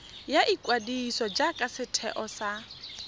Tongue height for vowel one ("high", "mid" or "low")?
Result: low